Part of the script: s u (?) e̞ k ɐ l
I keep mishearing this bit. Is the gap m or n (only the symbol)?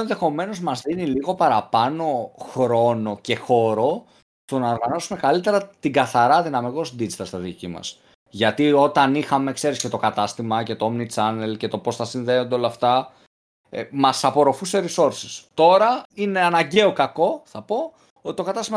m